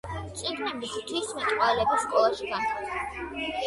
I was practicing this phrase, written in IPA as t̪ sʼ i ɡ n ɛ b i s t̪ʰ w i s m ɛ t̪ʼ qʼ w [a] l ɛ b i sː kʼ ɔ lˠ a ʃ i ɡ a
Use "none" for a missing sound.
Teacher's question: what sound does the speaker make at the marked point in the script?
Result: a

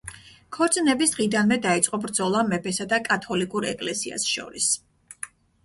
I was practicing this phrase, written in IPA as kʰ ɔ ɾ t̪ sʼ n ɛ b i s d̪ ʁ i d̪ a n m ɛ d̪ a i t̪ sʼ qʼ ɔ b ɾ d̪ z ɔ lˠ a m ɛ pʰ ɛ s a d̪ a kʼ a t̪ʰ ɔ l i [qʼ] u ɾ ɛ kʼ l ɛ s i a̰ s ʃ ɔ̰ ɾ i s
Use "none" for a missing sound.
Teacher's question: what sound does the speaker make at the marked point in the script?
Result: kʼ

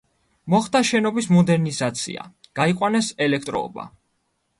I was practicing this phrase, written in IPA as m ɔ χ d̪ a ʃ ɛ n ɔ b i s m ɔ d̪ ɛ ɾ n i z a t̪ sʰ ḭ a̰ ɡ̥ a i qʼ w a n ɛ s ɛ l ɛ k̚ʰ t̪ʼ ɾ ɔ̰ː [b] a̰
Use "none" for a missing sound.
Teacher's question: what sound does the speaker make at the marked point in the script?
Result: b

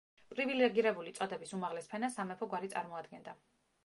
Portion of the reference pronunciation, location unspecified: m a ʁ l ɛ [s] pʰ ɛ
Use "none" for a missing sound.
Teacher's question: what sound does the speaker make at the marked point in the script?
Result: s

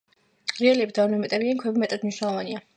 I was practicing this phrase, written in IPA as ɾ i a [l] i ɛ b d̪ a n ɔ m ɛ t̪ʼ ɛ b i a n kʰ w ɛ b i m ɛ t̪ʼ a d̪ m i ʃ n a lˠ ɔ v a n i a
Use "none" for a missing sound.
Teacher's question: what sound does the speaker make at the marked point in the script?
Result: l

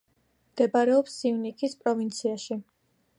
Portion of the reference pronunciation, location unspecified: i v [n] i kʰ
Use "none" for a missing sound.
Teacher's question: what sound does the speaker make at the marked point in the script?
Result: n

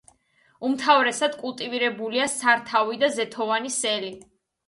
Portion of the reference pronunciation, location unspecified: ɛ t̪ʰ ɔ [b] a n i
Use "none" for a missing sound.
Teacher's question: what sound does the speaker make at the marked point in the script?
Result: v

